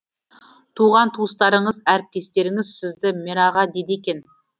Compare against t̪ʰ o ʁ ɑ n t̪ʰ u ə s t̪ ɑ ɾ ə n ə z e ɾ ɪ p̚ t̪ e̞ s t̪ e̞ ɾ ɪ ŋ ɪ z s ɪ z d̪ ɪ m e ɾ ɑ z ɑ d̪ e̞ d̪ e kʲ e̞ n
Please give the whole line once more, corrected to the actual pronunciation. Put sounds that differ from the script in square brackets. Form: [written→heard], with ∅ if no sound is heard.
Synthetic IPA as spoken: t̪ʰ [o→u] ʁ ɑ n t̪ʰ u ə s t̪ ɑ ɾ ə [n→ɴ] ə z [e→æ] ɾ ɪ p̚ t̪ e̞ s t̪ e̞ ɾ ɪ ŋ ɪ z s ɪ z d̪ ɪ m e ɾ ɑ [z→ʁ] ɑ d̪ e̞ d̪ e kʲ e̞ n